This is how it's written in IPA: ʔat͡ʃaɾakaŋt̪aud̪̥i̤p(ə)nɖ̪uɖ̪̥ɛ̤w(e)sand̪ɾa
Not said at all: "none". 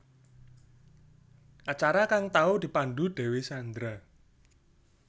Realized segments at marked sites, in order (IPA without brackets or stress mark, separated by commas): a, e